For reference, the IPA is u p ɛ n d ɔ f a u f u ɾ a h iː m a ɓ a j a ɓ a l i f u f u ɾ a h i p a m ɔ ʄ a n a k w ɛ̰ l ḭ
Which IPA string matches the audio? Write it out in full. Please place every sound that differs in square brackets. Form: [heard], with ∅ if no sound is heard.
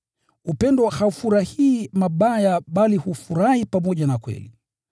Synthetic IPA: u p ɛ n d ɔ [h] a u f u ɾ a h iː m a ɓ a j a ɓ a l i [h] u f u ɾ a h i p a m ɔ ʄ a n a k w ɛ̰ l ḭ